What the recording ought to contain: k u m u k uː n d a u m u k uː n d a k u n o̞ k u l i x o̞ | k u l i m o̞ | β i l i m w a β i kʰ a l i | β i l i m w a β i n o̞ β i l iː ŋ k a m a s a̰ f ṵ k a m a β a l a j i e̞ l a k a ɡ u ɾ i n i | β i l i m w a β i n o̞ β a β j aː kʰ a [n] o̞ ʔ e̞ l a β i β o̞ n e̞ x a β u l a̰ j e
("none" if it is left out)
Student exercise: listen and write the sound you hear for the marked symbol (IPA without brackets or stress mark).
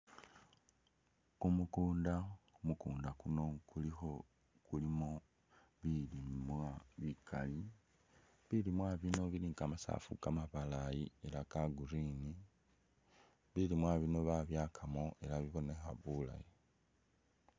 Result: m